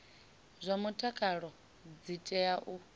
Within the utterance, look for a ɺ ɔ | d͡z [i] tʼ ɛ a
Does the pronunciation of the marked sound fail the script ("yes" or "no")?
no